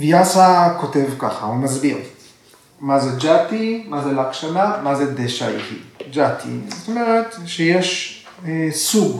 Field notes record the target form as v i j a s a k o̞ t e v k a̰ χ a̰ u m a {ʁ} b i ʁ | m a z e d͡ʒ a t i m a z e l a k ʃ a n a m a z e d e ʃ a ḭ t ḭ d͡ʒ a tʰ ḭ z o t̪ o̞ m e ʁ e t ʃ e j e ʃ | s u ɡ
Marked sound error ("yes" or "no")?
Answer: yes